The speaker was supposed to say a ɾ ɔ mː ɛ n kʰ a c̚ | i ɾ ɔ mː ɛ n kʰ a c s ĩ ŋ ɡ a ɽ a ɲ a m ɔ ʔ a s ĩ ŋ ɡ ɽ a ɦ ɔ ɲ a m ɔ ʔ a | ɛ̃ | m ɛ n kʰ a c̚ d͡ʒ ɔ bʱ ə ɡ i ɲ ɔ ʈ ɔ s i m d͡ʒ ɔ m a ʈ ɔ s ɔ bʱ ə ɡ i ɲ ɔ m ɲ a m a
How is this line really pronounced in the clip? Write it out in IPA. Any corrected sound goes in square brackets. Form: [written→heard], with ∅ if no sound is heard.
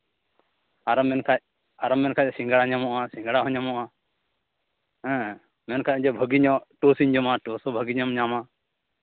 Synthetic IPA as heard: a ɾ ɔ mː ɛ n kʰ a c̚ | [i→a] ɾ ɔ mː ɛ n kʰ a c s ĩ ŋ ɡ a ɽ a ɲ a m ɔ ʔ a s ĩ ŋ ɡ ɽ a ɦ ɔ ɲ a m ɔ ʔ a | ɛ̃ | m ɛ n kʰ a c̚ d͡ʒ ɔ bʱ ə ɡ i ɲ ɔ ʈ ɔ s i [m→ɲ] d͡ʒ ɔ m a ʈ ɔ s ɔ bʱ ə ɡ i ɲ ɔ m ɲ a m a